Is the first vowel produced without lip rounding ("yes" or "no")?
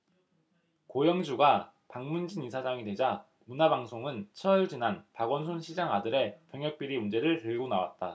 no